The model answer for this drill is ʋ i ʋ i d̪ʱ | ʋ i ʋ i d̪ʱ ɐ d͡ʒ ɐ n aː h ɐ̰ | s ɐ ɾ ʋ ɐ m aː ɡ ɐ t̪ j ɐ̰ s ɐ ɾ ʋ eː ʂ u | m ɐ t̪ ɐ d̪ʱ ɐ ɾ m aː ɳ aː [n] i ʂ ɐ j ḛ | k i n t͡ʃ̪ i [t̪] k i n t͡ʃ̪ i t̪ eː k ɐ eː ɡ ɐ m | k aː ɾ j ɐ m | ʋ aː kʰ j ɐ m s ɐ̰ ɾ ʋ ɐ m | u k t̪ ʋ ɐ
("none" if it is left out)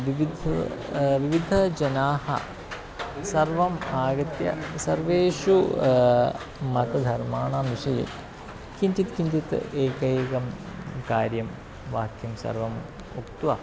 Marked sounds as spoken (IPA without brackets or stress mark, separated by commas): m, t̪